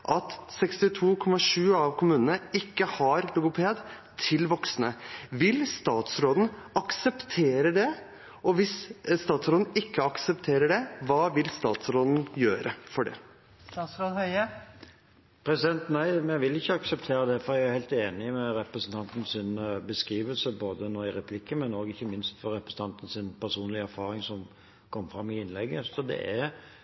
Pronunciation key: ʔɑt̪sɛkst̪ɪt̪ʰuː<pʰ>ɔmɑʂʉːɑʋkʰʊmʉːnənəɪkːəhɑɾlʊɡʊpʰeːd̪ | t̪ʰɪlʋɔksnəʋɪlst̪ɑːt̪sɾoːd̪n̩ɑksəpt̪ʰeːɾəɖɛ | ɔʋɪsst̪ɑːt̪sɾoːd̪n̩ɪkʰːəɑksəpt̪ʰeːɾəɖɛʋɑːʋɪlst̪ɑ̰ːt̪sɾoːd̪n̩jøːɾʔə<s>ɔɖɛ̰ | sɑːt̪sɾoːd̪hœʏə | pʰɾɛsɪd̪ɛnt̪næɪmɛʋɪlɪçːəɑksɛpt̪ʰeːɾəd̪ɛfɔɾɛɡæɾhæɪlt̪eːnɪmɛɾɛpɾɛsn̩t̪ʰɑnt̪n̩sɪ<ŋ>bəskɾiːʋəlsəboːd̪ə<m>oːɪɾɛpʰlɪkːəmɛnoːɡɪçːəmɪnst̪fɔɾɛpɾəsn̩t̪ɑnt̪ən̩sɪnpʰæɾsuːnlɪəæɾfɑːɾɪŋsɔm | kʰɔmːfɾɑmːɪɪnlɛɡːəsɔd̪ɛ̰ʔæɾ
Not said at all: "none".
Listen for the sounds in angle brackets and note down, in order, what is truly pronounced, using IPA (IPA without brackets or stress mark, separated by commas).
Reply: kʰ, f, n, n